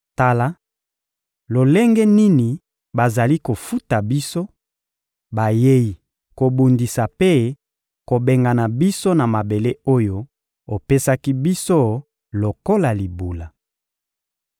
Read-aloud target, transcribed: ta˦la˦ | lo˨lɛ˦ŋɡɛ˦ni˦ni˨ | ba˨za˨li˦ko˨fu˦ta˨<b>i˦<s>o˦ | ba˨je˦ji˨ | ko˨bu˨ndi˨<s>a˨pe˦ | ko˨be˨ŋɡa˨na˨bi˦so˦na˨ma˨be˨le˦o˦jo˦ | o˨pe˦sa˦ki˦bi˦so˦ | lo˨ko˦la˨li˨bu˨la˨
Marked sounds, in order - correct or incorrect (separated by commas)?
correct, correct, correct